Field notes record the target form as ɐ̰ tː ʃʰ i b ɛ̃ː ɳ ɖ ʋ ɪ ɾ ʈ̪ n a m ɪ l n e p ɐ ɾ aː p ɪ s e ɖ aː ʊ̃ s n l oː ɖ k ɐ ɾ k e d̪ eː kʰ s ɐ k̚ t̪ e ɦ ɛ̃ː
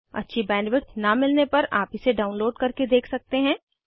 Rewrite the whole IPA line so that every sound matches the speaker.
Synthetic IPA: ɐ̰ tː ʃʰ i b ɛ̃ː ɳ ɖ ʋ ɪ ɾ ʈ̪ n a m ɪ l n e p ɐ ɾ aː p ɪ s e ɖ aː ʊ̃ n l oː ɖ k ɐ ɾ k e d̪ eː kʰ s ɐ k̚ t̪ e ɦ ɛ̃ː